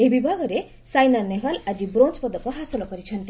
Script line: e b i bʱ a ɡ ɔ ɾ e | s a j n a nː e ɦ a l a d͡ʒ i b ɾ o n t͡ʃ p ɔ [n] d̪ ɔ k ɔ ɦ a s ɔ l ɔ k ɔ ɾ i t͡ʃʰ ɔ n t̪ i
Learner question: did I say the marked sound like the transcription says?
no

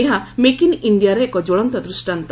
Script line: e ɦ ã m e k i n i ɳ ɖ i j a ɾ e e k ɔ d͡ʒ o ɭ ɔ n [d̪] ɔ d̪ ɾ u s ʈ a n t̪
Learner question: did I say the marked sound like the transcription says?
no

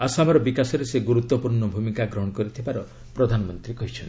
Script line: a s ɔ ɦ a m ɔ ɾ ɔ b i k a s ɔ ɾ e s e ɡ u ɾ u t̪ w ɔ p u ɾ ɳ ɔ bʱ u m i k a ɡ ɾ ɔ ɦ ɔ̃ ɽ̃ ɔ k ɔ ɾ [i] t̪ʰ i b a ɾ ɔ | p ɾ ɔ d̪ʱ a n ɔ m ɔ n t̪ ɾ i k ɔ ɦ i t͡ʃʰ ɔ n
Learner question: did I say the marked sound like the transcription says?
yes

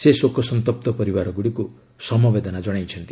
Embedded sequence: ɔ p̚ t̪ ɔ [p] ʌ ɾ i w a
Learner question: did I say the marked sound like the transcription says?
yes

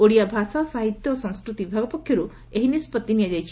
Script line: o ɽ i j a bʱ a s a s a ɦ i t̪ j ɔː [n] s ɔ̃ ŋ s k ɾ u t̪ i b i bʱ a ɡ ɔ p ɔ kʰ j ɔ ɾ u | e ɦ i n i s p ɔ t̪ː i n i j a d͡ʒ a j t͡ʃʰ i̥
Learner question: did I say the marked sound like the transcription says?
no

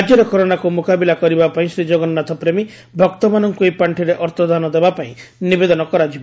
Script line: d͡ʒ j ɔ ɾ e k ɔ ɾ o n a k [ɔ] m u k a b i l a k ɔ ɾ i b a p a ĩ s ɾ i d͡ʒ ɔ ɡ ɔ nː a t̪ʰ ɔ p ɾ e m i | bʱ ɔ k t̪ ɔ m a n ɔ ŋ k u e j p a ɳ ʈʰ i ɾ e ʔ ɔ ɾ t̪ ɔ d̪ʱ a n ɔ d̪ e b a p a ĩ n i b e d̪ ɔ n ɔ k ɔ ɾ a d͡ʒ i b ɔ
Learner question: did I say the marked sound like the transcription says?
no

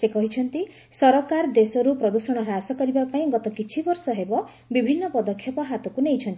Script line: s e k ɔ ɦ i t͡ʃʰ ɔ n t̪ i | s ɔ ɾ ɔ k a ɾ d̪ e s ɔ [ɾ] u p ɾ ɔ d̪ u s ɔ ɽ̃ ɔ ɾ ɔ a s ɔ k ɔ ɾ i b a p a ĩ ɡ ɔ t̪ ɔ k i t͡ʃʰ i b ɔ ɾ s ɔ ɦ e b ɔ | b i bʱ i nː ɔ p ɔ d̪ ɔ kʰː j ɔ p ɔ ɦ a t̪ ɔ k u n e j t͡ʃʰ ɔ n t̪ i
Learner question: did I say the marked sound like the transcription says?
yes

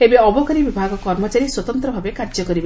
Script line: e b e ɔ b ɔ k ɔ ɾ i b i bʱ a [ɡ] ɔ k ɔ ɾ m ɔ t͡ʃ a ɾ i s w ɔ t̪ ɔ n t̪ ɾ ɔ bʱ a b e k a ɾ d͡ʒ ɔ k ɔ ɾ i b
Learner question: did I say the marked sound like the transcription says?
yes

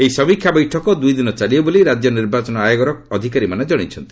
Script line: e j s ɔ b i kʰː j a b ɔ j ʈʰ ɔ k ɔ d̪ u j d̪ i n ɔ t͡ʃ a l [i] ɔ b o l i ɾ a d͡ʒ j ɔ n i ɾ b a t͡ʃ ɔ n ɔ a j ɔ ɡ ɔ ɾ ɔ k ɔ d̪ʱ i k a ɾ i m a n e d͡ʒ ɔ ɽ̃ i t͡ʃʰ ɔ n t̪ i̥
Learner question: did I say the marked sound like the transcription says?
yes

